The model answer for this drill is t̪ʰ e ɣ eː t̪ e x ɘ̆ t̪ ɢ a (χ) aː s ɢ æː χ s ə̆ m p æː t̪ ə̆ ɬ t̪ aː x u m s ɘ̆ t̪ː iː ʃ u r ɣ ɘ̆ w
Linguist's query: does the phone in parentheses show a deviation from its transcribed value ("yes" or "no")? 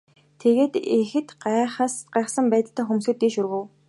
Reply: no